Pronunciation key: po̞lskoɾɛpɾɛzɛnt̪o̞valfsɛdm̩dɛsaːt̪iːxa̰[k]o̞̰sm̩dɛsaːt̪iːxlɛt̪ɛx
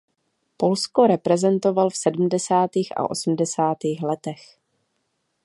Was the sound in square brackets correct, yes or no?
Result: no